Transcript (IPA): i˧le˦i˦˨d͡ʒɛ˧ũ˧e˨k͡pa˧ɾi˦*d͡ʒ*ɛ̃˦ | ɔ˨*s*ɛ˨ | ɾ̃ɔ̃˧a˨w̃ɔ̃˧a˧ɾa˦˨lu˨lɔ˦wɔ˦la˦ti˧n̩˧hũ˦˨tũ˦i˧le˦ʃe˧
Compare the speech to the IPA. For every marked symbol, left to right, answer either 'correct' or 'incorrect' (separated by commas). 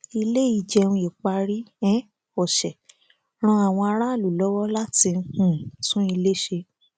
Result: incorrect, incorrect